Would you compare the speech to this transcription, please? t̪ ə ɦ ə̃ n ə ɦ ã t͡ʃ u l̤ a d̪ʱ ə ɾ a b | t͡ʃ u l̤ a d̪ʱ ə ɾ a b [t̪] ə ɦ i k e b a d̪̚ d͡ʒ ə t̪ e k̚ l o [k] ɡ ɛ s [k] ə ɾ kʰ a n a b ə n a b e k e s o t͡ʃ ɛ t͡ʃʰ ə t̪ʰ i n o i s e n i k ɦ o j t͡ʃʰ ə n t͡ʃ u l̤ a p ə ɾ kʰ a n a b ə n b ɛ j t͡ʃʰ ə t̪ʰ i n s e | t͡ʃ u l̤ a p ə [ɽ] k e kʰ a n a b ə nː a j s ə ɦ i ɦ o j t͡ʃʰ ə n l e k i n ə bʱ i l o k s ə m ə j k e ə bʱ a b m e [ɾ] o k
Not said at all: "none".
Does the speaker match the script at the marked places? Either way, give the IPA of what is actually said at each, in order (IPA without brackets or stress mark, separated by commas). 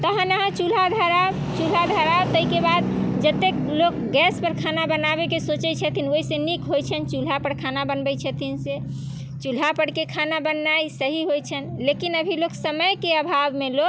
t̪, k, p, ɽ, l